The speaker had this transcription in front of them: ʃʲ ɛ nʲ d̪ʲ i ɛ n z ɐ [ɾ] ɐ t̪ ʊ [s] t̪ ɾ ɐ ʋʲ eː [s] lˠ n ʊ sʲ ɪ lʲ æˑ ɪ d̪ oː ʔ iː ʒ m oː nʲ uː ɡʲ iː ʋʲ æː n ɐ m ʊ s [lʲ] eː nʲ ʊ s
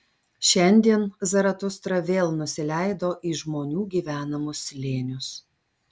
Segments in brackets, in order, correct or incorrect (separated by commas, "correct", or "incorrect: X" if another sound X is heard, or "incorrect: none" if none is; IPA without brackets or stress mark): correct, correct, incorrect: none, correct